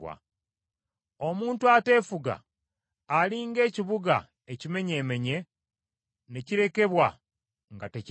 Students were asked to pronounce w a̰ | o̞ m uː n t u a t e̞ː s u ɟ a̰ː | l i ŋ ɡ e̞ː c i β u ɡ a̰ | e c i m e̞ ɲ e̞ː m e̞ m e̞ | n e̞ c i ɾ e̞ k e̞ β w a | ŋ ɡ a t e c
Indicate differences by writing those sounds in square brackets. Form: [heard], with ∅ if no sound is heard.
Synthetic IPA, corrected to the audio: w a̰ | o̞ m uː n t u a t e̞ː [f] u [ɡ] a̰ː | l i ŋ ɡ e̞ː c i β u ɡ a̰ | e c i m e̞ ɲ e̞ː m e̞ [ɲ] e̞ | n e̞ c i ɾ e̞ k e̞ β w a | ŋ ɡ a t e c

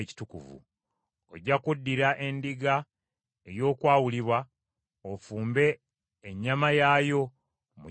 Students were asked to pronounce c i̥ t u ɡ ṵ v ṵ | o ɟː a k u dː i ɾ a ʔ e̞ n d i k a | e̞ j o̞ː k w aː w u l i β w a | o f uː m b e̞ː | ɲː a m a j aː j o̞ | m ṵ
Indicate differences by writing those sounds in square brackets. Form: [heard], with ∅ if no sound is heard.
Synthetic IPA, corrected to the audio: c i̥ t u [k] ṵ v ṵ | o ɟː a k u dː i ɾ a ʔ e̞ n d i [ɡ] a | e̞ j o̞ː k w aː w u l i β w a | o f uː m b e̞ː | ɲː a m a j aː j o̞ | m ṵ

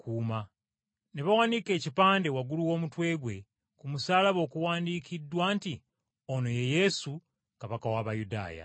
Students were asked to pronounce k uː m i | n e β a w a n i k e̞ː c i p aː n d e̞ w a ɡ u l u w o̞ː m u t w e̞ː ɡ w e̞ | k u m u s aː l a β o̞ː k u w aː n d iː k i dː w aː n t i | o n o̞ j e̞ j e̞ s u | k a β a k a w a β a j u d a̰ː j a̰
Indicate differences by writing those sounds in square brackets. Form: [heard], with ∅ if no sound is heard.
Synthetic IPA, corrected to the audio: k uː m [a] | n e β a w a n i k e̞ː c i p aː n d e̞ w a ɡ u l u w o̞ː m u t w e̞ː ɡ w e̞ | k u m u s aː l a β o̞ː k u w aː n d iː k i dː w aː n t i | o n o̞ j e̞ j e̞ s u | k a β a k a w a β a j u d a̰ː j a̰

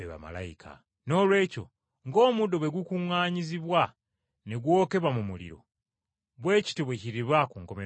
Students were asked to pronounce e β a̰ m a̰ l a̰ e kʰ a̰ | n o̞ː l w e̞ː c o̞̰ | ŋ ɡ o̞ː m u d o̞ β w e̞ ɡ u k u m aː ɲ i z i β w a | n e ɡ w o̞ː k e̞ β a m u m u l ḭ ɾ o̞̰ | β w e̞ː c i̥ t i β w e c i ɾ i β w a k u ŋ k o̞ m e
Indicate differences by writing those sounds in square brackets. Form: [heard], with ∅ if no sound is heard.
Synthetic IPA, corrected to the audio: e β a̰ m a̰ l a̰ [i] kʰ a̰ | n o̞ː l w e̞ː c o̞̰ | ŋ ɡ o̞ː m u d o̞ β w e̞ ɡ u k u [ŋ] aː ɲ i z i β w a | n e ɡ w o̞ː k e̞ β a m u m u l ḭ ɾ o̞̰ | β w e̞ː c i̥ t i β w e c i ɾ i β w a k u ŋ k o̞ m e

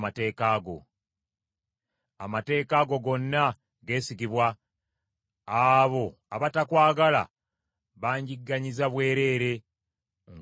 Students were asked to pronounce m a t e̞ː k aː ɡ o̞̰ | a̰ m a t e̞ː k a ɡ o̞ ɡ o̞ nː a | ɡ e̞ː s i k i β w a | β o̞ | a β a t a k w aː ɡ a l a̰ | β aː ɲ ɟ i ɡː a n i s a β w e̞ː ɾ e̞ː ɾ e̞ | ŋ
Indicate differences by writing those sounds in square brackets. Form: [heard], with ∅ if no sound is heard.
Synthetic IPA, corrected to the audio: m a t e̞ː k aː ɡ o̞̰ | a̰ m a t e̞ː k a ɡ o̞ ɡ o̞ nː a | ɡ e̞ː s i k i β w a | β o̞ | a β a t a k w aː ɡ a l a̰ | β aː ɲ ɟ i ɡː a [ɲ] i [z] a β w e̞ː ɾ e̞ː ɾ e̞ | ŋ

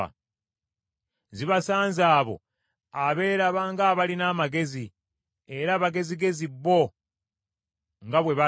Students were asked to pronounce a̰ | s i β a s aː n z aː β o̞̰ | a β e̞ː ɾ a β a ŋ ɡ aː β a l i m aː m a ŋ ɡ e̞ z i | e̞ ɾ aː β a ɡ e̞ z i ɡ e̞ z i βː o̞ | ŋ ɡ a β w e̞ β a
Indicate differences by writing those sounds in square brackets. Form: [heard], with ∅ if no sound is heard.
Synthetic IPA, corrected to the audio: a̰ | [z] i β a s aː n z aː β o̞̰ | a β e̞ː ɾ a β a ŋ ɡ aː β a l i [n] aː m a [∅] ɡ e̞ z i | e̞ ɾ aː β a ɡ e̞ z i ɡ e̞ z i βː o̞ | ŋ ɡ a β w e̞ β a

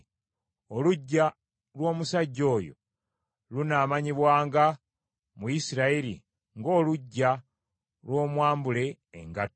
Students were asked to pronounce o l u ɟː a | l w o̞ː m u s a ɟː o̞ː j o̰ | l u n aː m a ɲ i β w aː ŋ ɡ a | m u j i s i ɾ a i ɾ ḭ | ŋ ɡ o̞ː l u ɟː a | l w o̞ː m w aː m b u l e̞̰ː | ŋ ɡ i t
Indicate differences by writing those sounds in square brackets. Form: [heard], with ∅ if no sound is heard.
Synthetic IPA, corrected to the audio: o l u ɟː a | l w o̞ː m u s a ɟː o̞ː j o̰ | l u n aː m a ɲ i β w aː ŋ ɡ a | m u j i s i ɾ a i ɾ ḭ | ŋ ɡ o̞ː l u ɟː a | l w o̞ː m w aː m b u l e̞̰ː | ŋ ɡ [a] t

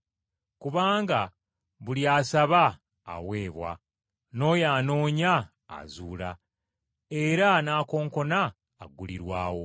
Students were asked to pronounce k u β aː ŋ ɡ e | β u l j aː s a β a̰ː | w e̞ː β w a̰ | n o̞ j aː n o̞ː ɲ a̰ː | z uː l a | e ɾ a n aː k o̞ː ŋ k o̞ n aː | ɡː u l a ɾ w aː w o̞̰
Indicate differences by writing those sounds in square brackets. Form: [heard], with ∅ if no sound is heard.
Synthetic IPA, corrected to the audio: k u β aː ŋ ɡ [a] | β u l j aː s a β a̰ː | w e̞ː β w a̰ | n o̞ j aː n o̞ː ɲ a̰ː | z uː l a | e ɾ a n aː k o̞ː ŋ k o̞ n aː | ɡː u l [i] ɾ w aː w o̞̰

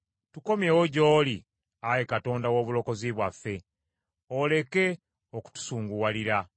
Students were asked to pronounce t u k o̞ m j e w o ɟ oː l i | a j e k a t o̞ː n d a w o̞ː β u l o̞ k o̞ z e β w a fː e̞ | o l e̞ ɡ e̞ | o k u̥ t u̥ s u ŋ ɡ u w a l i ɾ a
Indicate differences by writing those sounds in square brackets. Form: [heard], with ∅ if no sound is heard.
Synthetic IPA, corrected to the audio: t u k o̞ m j e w o ɟ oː l i | a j e k a t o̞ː n d a w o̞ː β u l o̞ k o̞ z [i] β w a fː e̞ | o l e̞ [k] e̞ | o k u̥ t u̥ s [uː] ŋ ɡ u w a l i ɾ a

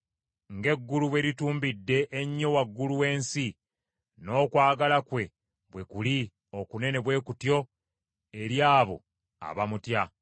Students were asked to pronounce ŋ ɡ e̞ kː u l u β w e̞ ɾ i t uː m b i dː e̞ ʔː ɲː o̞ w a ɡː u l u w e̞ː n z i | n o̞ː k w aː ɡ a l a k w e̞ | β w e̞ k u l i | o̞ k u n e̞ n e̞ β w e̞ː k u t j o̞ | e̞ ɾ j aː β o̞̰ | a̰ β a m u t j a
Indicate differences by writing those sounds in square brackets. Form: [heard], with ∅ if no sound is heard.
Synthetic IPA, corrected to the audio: ŋ ɡ e̞ [ɡː] u l u β w e̞ ɾ i t uː m b i dː e̞ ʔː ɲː o̞ w a ɡː u l u w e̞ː n [s] i | n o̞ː k w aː ɡ a l a k w e̞ | β w e̞ k u l i | o̞ k u n e̞ n e̞ β w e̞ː k u t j o̞ | e̞ ɾ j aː β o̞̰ | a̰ β a m u t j a

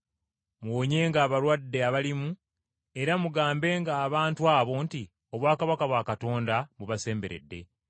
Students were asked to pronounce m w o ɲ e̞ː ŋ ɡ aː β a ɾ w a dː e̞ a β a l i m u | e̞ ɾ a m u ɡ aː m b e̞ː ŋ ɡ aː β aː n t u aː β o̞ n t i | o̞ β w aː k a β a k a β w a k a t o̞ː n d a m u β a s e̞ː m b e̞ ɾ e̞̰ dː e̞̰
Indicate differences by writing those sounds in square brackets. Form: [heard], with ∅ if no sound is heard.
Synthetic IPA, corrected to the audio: m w o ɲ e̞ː ŋ ɡ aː β a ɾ w a dː e̞ a β a l i m u | e̞ ɾ a m u ɡ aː m b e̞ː ŋ ɡ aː β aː n t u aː β o̞ n t i | o̞ β w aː k a β a k a β w a k a t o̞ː n d a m u β a s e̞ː m b e̞ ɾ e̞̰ dː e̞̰

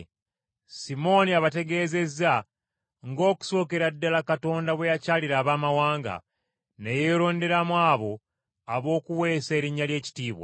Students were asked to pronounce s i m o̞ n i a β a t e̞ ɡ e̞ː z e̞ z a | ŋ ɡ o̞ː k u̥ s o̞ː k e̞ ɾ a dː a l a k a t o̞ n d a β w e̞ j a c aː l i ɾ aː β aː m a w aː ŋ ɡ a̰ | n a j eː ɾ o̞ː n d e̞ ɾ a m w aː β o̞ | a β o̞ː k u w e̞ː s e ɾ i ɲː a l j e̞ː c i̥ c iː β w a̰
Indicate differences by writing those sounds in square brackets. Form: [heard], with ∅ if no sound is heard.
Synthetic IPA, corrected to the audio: s i m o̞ n i a β a t e̞ ɡ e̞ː z e̞ z a | ŋ ɡ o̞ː k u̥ s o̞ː k e̞ ɾ a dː a l a k a t o̞ n d a β w e̞ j a c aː l i ɾ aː β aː m a w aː ŋ ɡ a̰ | n [e] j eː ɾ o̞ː n d e̞ ɾ a m w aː β o̞ | a β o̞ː k u w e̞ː s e ɾ i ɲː a l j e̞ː c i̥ [t] iː β w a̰

